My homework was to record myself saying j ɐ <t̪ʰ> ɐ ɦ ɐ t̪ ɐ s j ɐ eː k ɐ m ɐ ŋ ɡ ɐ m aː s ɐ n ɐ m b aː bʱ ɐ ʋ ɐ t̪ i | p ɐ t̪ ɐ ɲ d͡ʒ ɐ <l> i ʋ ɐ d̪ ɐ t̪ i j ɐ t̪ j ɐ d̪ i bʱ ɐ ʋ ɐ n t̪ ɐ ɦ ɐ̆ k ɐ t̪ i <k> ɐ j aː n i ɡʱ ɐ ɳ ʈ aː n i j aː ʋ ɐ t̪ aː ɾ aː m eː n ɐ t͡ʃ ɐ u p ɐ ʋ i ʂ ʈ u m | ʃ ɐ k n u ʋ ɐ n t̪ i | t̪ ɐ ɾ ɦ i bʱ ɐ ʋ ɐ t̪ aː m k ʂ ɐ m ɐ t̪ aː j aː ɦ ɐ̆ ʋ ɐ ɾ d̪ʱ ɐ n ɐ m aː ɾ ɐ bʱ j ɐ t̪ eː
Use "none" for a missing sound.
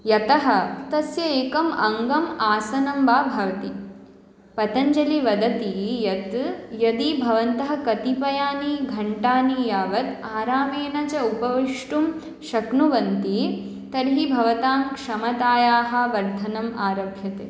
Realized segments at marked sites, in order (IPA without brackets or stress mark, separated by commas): t̪, l, p